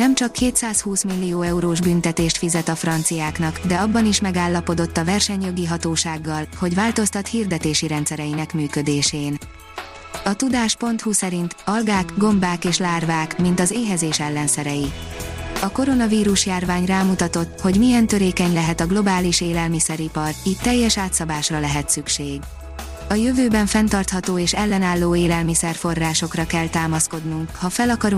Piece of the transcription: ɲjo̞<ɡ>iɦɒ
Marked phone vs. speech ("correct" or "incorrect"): correct